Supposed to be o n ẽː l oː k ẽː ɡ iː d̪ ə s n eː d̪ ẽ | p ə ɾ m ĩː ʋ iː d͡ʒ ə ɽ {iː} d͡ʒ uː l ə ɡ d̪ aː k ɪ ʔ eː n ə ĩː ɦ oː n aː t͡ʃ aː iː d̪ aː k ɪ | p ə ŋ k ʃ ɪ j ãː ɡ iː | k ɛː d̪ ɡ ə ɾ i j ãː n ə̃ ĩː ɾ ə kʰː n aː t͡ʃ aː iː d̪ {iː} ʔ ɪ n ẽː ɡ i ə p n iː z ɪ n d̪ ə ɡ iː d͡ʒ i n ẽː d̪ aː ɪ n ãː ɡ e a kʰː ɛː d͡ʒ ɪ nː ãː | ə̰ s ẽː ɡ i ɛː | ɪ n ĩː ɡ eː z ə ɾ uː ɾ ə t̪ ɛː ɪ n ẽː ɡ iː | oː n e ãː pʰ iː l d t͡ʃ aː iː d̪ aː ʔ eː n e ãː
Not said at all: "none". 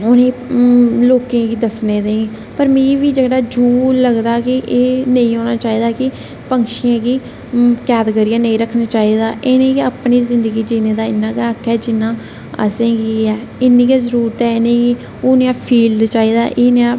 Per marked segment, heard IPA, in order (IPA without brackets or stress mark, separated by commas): aː, aː